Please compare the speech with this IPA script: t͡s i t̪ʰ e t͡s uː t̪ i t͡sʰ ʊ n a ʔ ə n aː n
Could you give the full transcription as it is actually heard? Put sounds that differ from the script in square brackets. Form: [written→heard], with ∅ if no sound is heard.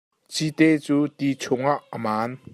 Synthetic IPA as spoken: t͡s i [t̪ʰ→t̪] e t͡s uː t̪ i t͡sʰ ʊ [n→ŋ] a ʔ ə [n→m] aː n